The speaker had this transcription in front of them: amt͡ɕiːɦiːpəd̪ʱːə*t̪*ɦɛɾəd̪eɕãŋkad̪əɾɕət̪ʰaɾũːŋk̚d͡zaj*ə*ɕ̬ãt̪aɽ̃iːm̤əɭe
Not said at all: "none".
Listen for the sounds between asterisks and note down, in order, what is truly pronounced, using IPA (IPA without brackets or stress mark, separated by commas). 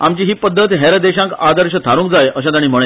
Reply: t̪, ə